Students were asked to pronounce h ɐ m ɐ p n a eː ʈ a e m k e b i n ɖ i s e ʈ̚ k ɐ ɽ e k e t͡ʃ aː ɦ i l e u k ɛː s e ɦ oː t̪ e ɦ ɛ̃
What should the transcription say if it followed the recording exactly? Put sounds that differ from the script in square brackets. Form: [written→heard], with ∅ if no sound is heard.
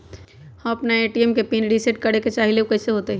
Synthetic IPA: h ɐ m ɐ p n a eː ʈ [a→i] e m k e [b→p] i n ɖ i s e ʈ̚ k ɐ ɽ e k e t͡ʃ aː ɦ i l e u k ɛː s e ɦ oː t̪ e ɦ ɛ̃